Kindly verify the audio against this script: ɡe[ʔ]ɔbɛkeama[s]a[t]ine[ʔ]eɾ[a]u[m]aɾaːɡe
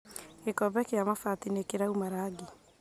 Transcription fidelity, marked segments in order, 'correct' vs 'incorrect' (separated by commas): incorrect, incorrect, correct, incorrect, correct, correct